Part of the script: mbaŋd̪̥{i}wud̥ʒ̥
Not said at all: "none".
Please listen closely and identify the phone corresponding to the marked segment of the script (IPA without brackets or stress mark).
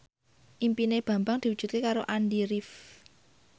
i